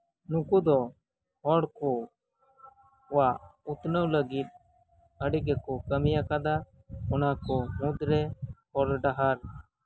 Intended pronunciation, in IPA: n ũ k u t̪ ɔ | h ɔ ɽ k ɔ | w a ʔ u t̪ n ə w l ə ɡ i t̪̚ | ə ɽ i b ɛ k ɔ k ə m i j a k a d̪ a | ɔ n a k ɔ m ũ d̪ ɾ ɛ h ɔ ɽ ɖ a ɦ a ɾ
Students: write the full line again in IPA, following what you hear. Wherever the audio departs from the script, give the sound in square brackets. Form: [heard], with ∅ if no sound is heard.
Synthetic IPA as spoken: n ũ k u [d̪] ɔ | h ɔ ɽ k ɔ | w a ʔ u t̪ n ə w l ə ɡ i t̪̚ | ə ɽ i [ɡ] ɛ k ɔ k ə m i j a k a d̪ a | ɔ n a k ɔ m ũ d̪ ɾ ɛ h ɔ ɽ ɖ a ɦ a ɾ